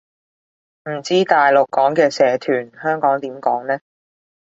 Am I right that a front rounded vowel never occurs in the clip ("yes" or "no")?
no